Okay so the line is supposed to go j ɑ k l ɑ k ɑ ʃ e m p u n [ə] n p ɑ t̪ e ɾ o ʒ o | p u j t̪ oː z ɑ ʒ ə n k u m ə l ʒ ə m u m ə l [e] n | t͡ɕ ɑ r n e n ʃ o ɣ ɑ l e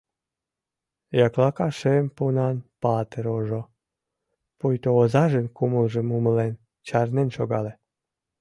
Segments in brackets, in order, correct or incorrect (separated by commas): incorrect, correct